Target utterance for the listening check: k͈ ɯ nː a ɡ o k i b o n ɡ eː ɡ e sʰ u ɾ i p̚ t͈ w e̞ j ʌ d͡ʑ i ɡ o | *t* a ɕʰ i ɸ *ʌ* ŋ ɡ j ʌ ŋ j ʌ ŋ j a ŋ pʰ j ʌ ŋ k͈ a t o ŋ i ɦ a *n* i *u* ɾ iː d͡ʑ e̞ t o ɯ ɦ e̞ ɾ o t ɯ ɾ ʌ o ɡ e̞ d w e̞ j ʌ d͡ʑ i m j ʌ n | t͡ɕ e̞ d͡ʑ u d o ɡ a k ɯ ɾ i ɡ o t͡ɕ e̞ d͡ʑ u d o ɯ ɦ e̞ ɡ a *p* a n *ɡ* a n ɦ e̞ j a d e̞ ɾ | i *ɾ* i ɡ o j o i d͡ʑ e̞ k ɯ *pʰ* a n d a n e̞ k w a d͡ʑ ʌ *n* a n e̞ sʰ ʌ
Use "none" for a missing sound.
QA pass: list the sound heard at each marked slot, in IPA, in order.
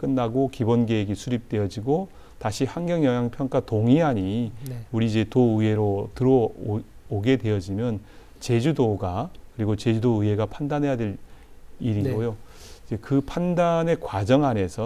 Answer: t, a, ɲ, u, pʰ, d, ɾ, pʰ, ŋ

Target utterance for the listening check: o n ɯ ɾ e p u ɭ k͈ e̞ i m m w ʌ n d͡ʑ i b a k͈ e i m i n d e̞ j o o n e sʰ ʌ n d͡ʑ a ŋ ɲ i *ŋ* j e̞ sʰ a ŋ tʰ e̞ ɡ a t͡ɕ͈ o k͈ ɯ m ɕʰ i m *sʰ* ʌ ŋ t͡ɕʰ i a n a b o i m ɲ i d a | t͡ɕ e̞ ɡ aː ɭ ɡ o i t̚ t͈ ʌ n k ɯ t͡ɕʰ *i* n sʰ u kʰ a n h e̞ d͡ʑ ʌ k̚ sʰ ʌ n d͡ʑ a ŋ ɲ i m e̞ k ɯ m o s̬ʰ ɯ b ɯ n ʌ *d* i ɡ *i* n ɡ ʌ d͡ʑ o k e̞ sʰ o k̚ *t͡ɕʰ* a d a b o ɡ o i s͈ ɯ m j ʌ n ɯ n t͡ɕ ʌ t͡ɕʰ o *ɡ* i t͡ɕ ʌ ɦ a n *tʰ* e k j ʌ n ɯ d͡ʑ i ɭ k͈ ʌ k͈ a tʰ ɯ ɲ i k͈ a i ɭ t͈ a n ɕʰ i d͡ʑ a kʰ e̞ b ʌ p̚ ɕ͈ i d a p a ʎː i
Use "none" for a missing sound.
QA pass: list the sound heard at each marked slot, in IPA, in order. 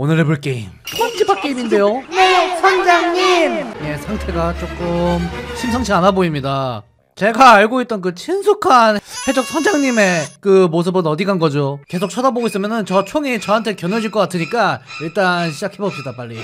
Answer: m, sʰ, i, d, a, t͡ɕʰ, ŋ, tʰ

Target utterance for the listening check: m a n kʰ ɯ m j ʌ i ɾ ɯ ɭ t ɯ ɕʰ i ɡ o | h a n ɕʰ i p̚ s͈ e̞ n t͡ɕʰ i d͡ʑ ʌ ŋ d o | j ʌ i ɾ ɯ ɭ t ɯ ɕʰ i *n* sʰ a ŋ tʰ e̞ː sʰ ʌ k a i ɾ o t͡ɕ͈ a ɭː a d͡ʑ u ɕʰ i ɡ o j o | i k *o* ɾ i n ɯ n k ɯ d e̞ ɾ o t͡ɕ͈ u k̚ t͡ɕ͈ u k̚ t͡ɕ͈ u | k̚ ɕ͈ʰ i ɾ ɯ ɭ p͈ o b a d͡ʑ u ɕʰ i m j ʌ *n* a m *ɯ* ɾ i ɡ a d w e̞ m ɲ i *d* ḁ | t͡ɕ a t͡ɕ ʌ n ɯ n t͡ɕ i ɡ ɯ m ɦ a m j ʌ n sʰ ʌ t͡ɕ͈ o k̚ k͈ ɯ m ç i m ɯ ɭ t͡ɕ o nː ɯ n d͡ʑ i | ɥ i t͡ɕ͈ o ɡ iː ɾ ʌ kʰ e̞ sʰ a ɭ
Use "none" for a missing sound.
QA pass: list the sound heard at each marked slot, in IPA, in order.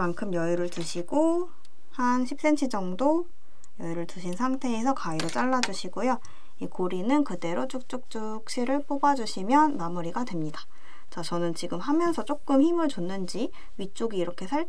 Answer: n, o, nː, u, d

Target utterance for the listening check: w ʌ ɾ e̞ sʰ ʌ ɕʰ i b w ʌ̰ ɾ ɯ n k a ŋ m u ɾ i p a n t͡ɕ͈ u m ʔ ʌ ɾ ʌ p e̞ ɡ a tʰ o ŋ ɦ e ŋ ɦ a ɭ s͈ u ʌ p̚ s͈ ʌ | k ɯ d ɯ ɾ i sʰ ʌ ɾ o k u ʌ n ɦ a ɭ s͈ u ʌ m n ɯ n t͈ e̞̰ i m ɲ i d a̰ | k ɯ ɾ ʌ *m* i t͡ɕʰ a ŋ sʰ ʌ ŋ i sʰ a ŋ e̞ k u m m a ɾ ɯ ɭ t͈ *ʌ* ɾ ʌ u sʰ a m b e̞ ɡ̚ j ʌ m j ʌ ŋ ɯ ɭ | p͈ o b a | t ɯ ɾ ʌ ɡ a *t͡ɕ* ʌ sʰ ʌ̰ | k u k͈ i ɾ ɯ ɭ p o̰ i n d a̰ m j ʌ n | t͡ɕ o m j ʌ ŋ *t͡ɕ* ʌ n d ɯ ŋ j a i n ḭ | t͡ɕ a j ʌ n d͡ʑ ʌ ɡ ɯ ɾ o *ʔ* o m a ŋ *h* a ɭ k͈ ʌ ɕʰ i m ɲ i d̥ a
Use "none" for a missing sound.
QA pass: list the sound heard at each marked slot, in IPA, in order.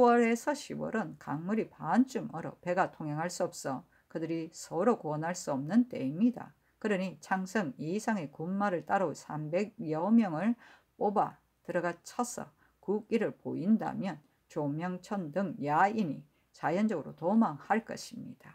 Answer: ɲ, a, t͡ɕʰ, t͡ɕʰ, t, h

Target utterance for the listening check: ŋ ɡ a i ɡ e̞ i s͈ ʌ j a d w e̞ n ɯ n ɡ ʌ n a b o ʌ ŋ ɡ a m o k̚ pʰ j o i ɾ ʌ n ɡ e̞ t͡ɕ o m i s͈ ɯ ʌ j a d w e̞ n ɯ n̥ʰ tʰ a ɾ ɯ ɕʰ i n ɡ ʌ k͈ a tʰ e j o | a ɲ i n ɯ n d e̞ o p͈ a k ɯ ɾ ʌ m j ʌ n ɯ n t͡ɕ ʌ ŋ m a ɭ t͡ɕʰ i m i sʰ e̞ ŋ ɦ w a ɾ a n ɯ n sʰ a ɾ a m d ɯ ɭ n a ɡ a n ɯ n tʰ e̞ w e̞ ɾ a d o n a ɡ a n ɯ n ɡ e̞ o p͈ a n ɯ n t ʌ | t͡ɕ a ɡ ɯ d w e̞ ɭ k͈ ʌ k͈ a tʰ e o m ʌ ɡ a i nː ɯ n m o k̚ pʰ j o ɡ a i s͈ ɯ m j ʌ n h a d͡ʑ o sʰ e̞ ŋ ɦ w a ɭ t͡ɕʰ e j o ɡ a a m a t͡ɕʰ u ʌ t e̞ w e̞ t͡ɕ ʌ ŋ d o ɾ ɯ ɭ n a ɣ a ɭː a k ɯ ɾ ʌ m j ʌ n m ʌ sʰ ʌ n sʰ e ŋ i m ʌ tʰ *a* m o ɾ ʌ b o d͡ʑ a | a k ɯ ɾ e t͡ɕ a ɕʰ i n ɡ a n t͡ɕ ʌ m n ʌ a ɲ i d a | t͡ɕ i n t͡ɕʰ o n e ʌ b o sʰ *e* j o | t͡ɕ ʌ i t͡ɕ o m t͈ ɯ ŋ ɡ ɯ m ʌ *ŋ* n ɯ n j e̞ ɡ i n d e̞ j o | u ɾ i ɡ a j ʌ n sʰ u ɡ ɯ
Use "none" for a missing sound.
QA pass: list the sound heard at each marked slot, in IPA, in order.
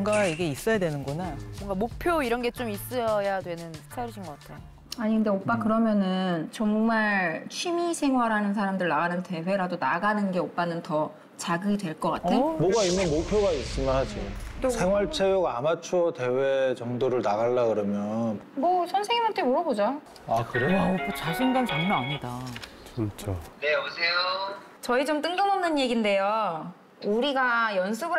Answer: e, e, m

